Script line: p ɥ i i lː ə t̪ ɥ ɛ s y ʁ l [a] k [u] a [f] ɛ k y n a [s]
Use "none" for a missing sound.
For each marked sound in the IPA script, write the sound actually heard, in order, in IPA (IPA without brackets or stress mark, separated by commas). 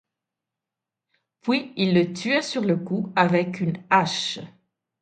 ə, u, v, ʃ